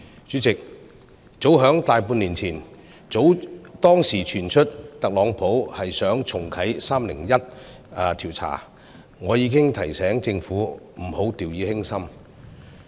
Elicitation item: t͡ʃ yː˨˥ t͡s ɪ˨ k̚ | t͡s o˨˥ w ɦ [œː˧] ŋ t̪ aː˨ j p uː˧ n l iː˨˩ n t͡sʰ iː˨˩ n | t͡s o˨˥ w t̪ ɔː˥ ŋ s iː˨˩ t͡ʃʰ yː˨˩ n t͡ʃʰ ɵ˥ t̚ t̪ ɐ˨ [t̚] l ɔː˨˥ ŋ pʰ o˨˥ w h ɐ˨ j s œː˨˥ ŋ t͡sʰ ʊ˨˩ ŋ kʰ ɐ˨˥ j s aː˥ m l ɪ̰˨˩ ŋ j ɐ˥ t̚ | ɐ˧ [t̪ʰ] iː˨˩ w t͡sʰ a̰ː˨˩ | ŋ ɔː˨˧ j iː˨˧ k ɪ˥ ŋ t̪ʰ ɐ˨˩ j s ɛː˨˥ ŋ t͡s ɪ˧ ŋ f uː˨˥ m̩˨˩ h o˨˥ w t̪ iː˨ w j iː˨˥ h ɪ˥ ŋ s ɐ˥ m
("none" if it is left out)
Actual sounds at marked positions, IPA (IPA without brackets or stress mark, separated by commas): œː˨˥, k̚, t̪ʰ